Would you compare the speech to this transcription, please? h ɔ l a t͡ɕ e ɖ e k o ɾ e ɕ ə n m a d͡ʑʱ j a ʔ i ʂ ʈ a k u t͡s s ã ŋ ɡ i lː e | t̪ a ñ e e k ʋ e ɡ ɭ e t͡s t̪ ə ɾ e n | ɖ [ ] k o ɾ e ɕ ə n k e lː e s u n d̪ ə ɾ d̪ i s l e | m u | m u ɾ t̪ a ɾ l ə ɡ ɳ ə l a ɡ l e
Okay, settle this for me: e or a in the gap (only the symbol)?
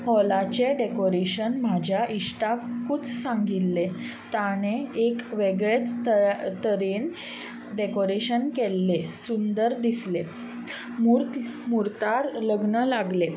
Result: e